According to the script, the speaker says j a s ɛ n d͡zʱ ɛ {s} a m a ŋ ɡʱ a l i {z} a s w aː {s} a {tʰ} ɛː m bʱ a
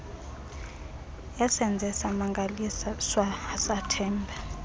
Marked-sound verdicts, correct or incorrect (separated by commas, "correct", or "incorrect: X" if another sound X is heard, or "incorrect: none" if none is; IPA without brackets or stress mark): correct, incorrect: s, correct, correct